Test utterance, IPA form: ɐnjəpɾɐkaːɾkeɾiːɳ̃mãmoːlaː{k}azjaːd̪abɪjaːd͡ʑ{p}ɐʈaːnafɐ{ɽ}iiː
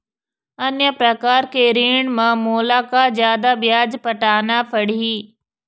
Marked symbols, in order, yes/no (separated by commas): yes, yes, yes